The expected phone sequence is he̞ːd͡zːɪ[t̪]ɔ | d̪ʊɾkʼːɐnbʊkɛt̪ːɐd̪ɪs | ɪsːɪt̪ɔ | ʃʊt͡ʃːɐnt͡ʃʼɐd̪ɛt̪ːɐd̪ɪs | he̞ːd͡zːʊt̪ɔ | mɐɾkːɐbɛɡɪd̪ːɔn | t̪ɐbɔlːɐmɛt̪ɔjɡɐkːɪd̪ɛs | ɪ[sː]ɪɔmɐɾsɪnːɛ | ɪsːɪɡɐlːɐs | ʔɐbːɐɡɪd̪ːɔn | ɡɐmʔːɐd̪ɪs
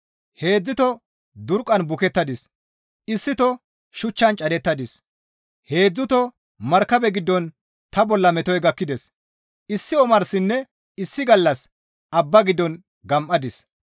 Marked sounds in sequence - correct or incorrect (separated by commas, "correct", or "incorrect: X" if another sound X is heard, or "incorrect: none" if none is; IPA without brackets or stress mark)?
correct, correct